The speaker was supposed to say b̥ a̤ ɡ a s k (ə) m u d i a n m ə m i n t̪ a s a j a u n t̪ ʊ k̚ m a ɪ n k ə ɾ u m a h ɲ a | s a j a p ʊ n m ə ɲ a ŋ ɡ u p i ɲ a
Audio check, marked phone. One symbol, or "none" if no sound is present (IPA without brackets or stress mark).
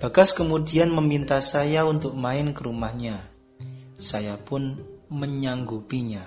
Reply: ə